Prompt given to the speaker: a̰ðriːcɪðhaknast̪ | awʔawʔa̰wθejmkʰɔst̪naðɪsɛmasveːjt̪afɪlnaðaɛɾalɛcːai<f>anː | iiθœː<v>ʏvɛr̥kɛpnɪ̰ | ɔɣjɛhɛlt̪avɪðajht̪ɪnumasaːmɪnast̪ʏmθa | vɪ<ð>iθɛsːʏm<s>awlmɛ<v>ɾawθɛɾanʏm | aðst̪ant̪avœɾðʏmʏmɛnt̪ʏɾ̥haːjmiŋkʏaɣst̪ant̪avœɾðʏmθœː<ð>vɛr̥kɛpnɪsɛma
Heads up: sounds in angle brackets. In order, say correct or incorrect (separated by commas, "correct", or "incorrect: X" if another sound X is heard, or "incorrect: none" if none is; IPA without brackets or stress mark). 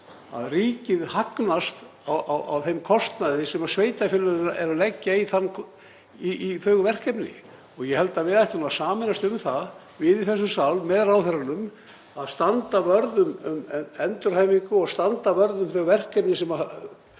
incorrect: θ, incorrect: ɣ, correct, correct, incorrect: ð, incorrect: ɣ